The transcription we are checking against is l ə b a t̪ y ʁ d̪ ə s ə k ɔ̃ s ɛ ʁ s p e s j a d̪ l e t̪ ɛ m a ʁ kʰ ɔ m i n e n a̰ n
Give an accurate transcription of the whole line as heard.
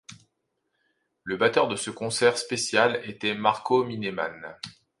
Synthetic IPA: l ə b a t̪ œ ʁ d̪ ə s ə k ɔ̃ s ɛ ʁ s p e s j a l e t̪ ɛ m a ʁ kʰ o m i n e m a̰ n

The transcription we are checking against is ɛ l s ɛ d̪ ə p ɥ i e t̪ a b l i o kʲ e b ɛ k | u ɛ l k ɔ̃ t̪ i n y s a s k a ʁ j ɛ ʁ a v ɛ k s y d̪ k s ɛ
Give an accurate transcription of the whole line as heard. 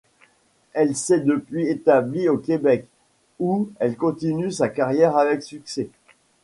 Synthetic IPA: ɛ l s ɛ d̪ ə p ɥ i e t̪ a b l i o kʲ e b ɛ k | u ɛ l k ɔ̃ t̪ i n y s a k a ʁ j ɛ ʁ a v ɛ k s y k s ɛ

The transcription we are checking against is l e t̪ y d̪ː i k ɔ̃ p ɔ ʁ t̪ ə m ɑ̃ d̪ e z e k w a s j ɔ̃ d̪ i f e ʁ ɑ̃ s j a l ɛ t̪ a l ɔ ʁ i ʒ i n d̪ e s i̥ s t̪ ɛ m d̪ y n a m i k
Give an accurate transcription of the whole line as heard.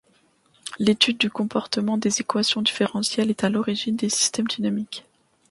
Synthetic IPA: l e t̪ y d̪ː y k ɔ̃ p ɔ ʁ t̪ ə m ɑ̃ d̪ e z e k w a s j ɔ̃ d̪ i f e ʁ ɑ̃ s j ɛ l ɛ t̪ a l ɔ ʁ i ʒ i n d̪ e s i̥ s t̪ ɛ m d̪ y n a m i k

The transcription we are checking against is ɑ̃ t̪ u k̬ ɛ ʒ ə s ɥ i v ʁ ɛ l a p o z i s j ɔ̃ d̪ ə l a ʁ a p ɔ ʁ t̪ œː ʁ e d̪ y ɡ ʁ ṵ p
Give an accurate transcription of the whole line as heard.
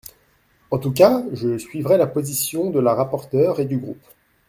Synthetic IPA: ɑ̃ t̪ u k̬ a ʒ ə s ɥ i v ʁ ɛ l a p o z i s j ɔ̃ d̪ ə l a ʁ a p ɔ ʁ t̪ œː ʁ e d̪ y ɡ ʁ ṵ p

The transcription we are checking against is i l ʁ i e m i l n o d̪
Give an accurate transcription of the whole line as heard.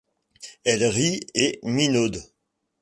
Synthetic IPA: ɛ l ʁ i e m i n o d̪

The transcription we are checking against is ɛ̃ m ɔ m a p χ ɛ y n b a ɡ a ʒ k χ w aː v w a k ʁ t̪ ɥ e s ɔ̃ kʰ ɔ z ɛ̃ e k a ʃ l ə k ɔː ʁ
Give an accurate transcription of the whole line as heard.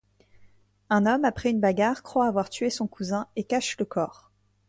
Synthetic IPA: ɛ̃ n ɔ m a p χ ɛ y n b a ɡ a ʁ k χ w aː v w a ʁ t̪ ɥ e s ɔ̃ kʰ u z ɛ̃ e k a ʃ l ə k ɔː ʁ

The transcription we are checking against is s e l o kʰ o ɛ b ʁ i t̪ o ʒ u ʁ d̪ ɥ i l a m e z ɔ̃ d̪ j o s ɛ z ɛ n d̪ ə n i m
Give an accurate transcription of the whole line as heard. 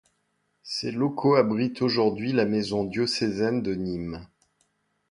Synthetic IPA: s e l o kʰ o a b ʁ i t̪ o ʒ u ʁ d̪ ɥ i l a m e z ɔ̃ d̪ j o s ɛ z ɛ n d̪ ə n i m

